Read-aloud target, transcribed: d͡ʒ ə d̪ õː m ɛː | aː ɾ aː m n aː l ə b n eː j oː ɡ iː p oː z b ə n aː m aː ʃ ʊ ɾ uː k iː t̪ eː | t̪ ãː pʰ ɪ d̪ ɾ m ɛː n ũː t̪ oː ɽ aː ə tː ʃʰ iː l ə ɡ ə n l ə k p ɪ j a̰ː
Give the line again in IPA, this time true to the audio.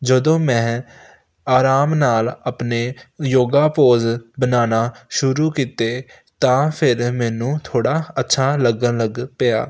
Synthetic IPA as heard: d͡ʒ ə d̪ õː m ɛ̃ː | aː ɾ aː m n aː l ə p n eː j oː ɡ aː p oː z b ə n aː n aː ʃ ʊ ɾ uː k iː t̪ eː | t̪ ãː pʰ ɪ ɾ m ɛː n ũː t̪ʰ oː ɽ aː ə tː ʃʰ aː l ə ɡ ə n l ə ɡ p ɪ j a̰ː

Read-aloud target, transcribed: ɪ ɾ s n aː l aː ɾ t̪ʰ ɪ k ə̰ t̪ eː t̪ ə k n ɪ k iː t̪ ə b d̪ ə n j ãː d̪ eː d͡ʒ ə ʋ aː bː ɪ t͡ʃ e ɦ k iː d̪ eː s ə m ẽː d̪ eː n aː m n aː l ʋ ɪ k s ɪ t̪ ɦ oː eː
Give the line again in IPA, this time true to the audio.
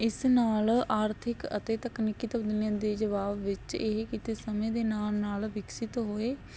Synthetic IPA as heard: ɪ s n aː l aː ɾ t̪ʰ ɪ k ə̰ t̪ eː t̪ ə k n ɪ k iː t̪ ə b d̪ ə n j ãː d̪ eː d͡ʒ ə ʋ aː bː ɪ t͡ʃ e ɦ k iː t̪ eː s ə m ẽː d̪ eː n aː m n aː l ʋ ɪ k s ɪ t̪ ɦ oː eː

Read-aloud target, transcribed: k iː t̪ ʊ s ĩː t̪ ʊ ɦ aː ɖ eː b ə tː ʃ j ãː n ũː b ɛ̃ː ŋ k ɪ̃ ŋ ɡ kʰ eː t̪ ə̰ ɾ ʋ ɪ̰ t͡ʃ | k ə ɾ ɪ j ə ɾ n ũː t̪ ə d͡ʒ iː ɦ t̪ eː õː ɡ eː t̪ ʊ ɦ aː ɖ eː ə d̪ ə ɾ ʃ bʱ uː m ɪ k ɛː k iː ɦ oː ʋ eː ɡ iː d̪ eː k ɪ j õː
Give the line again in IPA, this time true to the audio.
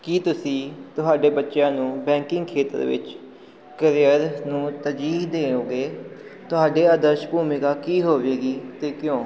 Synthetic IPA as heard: k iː t̪ ʊ s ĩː t̪ ʊ ɦ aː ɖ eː b ə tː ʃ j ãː n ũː b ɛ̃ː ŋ k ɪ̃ ŋ ɡ kʰ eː t̪ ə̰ ɾ ʋ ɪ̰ t͡ʃ | k ə ɾ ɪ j ə ɾ n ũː t̪ ə d͡ʒ iː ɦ d̪ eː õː ɡ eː t̪ ʊ ɦ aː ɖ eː ə d̪ ə ɾ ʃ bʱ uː m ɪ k aː k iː ɦ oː ʋ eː ɡ iː t̪ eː k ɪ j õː

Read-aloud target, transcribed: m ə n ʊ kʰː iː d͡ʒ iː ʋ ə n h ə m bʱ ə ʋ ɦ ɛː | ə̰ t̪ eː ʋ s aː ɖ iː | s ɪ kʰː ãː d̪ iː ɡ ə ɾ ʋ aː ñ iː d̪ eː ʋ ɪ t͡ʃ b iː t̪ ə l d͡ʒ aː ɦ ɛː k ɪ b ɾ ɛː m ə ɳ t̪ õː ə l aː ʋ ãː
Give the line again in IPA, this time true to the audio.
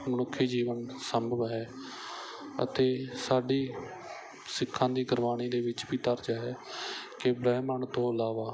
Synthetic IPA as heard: m ə n ʊ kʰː iː d͡ʒ iː ʋ ə n s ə m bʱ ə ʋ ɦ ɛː | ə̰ t̪ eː s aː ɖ iː | s ɪ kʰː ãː d̪ iː ɡ ə ɾ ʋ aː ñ iː d̪ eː ʋ ɪ t͡ʃ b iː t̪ ə ɾ d͡ʒ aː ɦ ɛː k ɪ b ɾ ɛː m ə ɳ t̪ õː ə l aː ʋ aː

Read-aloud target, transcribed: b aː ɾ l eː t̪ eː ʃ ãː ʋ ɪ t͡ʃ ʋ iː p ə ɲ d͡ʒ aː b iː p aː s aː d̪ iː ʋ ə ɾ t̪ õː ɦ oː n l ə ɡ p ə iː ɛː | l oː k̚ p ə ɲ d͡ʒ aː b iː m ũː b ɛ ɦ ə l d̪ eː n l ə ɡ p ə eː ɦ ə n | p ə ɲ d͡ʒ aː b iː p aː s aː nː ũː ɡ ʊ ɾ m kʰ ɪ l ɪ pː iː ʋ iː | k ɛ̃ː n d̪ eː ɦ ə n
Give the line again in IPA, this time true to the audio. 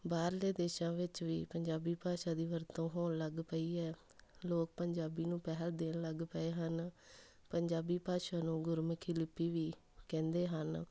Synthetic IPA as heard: b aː ɾ l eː d̪ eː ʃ ãː ʋ ɪ t͡ʃ ʋ iː p ə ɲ d͡ʒ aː b iː p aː ʃ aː d̪ iː ʋ ə ɾ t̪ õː ɦ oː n l ə ɡ p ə iː ɛː | l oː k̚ p ə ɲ d͡ʒ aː b iː n ũː p ɛ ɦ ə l d̪ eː n l ə ɡ p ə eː ɦ ə n | p ə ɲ d͡ʒ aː b iː p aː ʃ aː n ũː ɡ ʊ ɾ m kʰ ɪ l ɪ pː iː ʋ iː | k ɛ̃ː n d̪ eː ɦ ə n

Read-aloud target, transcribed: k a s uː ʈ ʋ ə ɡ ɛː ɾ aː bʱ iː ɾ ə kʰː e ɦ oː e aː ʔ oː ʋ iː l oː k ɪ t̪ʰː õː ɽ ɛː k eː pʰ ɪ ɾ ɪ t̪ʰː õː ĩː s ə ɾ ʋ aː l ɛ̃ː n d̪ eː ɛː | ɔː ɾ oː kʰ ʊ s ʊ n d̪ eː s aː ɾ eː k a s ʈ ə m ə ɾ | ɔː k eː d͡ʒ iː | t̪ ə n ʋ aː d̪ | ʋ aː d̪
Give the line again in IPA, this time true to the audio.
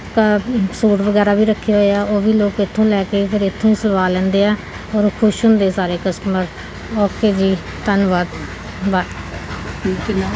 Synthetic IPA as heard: k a s uː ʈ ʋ ə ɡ ɛː ɾ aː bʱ iː ɾ ə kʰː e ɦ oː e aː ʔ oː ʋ iː l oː k ɪ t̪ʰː õː l ɛː k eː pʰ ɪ ɾ ɪ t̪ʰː õː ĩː s ə l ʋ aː l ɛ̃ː n d̪ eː ɛː | ɔː ɾ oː kʰ ʊ ʃ ʊ n d̪ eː s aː ɾ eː k ə s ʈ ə m ə ɾ | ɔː k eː d͡ʒ iː | t̪ ə n ʋ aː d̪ | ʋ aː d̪

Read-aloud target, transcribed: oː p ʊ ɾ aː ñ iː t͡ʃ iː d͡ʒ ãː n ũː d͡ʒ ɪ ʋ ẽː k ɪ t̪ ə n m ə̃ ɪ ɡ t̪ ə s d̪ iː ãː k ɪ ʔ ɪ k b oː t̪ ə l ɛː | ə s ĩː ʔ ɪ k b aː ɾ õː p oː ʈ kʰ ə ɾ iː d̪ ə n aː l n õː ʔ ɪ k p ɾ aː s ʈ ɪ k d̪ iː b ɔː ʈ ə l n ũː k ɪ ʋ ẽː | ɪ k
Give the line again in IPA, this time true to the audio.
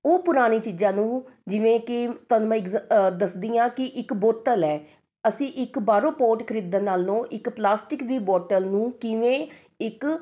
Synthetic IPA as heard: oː p ʊ ɾ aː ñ iː t͡ʃ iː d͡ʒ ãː n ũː d͡ʒ ɪ ʋ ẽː k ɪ t̪ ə n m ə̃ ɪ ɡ d̪ ə s d̪ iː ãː k ɪ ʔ ɪ k b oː t̪ ə l ɛː | ə s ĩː ʔ ɪ k b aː ɾ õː p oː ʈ kʰ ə ɾ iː d̪ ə n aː l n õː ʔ ɪ k p l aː s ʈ ɪ k d̪ iː b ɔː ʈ ə l n ũː k ɪ ʋ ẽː | ɪ k

